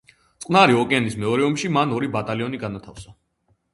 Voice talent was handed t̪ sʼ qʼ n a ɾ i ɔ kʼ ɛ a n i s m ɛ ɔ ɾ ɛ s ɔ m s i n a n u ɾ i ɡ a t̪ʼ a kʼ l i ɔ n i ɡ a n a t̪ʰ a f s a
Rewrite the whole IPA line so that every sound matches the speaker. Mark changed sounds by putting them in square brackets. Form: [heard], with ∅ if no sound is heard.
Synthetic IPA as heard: t̪ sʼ qʼ n a ɾ i ɔ kʼ ɛ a n i s m ɛ ɔ ɾ ɛ [∅] ɔ m [ʃ] i [m] a n [ɔ] ɾ i [b] a t̪ʼ a [∅] l i ɔ n i ɡ a n a t̪ʰ a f s a